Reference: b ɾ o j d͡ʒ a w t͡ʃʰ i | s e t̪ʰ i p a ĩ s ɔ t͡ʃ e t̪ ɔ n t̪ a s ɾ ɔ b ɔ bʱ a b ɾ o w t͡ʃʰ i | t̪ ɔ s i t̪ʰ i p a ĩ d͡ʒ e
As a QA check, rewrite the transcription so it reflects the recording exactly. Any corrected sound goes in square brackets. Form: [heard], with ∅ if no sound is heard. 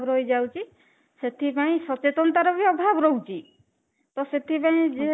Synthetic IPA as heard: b ɾ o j d͡ʒ a w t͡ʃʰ i | s e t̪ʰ i p a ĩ s ɔ t͡ʃ e t̪ ɔ n t̪ a [∅] ɾ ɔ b ɔ bʱ a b ɾ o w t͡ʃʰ i | t̪ ɔ s [e] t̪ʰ i p a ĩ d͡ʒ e